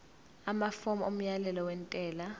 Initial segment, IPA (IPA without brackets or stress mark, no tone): a